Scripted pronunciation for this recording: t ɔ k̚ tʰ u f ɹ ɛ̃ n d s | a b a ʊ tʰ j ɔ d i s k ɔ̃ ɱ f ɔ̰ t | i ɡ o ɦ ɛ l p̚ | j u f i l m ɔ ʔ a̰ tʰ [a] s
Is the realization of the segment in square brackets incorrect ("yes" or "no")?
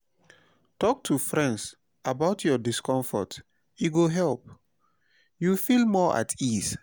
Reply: yes